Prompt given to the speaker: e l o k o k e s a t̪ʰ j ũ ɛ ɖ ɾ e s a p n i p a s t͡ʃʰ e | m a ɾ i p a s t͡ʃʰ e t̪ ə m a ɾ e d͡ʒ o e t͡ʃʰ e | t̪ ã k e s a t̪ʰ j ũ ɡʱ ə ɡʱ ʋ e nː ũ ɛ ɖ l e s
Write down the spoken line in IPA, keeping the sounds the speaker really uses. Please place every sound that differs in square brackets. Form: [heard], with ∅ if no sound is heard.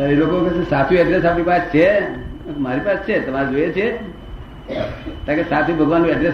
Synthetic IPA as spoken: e l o k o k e s a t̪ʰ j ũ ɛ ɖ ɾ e s a p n i p a s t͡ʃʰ e | m a ɾ i p a s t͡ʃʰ e t̪ ə m a ɾ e d͡ʒ o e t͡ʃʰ e | t̪ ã k e s a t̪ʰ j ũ [bʱ] ə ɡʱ ʋ [a] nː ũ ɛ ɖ [ɾ] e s